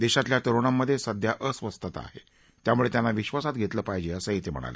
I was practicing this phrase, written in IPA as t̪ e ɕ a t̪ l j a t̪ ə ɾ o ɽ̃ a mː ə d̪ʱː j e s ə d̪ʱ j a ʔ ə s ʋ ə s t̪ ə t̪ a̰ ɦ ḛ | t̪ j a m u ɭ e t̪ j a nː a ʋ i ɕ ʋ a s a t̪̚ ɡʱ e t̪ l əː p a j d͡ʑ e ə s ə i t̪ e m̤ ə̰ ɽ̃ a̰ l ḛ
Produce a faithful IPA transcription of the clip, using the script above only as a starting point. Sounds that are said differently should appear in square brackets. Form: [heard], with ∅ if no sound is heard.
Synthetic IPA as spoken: [d̪] e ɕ a t̪ l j a t̪ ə ɾ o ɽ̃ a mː ə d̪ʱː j e s ə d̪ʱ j a ʔ ə s ʋ ə s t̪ ə t̪ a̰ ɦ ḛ | t̪ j a m u ɭ e t̪ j a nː a ʋ i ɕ ʋ a s a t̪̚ ɡʱ e t̪ l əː p a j d͡ʑ e ə s ə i t̪ e m̤ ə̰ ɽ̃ a̰ l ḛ